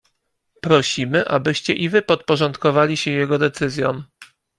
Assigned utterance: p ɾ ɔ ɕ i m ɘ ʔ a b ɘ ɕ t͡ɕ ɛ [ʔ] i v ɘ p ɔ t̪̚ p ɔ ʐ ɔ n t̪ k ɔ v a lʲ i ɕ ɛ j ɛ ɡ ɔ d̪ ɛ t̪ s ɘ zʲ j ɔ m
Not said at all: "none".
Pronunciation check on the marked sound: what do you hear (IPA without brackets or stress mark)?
ʔ